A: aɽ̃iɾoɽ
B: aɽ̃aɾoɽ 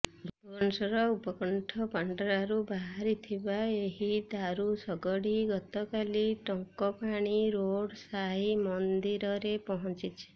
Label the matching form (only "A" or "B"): A